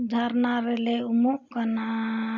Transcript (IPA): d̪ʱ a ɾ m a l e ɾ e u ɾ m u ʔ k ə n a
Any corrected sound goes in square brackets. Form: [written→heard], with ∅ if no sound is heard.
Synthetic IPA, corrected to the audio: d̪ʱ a ɾ [m→n] a [l→ɾ] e [ɾ→l] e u [ɾ→∅] m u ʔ k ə n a